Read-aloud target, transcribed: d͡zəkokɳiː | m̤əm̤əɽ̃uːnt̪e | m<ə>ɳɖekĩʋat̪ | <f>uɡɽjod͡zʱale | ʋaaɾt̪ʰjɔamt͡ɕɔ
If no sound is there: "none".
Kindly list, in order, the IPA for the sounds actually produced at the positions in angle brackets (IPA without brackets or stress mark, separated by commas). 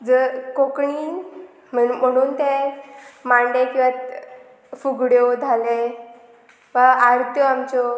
a, f